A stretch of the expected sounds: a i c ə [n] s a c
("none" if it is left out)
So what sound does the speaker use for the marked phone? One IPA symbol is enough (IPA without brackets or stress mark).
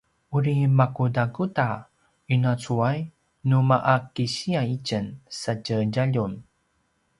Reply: n